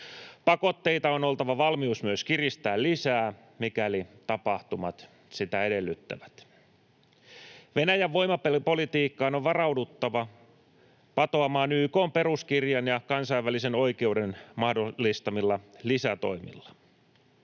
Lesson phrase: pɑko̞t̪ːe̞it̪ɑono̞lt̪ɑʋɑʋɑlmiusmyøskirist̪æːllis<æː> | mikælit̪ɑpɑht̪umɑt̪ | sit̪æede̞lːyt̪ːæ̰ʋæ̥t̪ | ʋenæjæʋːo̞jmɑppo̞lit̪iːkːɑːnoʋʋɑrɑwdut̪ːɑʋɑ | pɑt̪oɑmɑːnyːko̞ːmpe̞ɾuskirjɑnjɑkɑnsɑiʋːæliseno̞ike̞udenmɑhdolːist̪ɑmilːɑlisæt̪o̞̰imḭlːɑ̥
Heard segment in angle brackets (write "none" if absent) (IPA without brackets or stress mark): æː